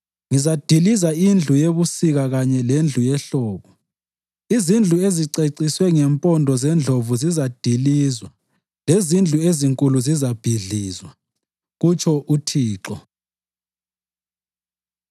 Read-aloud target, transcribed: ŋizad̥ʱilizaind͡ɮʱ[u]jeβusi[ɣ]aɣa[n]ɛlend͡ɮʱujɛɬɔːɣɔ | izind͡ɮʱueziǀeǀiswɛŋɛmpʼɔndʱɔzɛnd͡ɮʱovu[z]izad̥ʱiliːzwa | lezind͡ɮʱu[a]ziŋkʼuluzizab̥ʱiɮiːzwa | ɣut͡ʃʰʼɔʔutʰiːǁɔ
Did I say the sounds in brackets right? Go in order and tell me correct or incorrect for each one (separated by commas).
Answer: correct, correct, incorrect, correct, incorrect